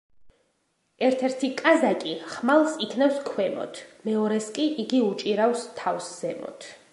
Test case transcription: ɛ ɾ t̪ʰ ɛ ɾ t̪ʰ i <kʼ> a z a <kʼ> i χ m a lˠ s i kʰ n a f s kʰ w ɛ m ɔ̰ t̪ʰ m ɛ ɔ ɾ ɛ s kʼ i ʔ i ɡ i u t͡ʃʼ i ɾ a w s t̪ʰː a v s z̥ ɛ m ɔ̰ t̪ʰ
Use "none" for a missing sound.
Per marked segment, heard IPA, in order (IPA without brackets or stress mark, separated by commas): kʼ, kʼ